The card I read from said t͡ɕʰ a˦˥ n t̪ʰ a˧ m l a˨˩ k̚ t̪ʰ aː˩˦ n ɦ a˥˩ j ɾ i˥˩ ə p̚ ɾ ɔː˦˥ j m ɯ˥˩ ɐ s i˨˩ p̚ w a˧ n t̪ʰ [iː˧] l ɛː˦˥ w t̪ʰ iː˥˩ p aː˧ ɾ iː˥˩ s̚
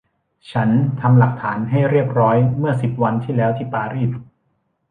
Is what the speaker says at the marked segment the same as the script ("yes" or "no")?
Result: no